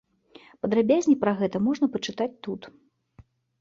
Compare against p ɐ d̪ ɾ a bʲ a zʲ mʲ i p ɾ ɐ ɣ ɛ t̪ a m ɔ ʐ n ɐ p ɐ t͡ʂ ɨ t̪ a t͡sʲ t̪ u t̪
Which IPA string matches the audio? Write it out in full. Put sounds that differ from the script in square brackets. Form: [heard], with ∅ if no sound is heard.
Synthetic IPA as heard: p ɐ d̪ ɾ a bʲ a zʲ [nʲ] i p ɾ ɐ ɣ ɛ t̪ [ɐ] m ɔ ʐ n ɐ p ɐ t͡ʂ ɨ t̪ a t͡sʲ t̪ u t̪